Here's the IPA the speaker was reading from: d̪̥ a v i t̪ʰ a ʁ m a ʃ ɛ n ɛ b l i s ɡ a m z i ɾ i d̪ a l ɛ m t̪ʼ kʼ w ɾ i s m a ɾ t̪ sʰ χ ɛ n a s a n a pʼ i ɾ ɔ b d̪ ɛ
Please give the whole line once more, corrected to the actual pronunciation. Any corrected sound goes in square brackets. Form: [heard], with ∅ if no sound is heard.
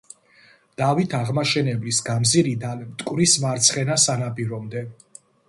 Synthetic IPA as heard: d̪̥ a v i t̪ʰ a ʁ m a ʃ ɛ n ɛ b l i s ɡ a m z i ɾ i d̪ a l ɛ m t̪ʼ kʼ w ɾ i s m a ɾ t̪ sʰ χ ɛ n a s a n a pʼ i ɾ ɔ [m] d̪ ɛ